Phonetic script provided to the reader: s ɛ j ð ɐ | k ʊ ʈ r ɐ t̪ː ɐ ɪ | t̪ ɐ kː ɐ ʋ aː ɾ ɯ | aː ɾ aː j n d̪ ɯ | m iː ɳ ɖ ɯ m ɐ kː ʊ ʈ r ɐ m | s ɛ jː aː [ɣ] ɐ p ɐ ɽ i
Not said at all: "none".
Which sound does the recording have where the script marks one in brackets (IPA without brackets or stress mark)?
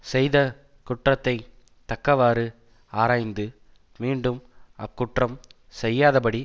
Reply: ð